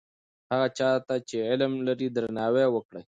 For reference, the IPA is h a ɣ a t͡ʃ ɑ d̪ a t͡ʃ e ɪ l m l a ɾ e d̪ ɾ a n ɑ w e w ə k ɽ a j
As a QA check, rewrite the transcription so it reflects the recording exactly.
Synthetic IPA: h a ɣ a t͡ʃ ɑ t̪ a t͡ʃ e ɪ l m l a ɾ i d̪ ɾ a n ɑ w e w ə k ɽ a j